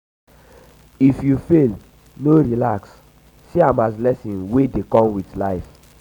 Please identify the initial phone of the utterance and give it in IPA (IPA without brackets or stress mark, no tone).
i